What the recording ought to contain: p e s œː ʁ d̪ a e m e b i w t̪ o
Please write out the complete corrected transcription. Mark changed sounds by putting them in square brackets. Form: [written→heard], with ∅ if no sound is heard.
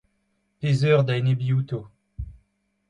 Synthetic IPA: p e [s→z] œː ʁ d̪ a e [m→n] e b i [w→u] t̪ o